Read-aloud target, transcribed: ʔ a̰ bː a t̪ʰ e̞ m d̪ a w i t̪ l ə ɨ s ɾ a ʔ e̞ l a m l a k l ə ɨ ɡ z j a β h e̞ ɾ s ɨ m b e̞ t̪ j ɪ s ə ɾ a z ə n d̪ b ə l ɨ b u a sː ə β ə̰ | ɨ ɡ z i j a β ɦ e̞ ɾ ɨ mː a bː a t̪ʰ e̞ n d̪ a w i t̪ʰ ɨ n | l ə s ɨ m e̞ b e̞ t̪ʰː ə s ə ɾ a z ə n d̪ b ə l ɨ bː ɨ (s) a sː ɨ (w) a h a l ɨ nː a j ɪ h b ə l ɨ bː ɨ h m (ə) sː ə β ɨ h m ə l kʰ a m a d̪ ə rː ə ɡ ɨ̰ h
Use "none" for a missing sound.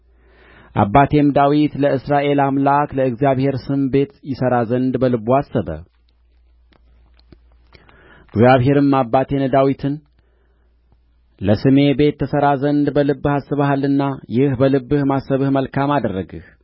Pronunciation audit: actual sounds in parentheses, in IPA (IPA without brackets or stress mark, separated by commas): h, β, a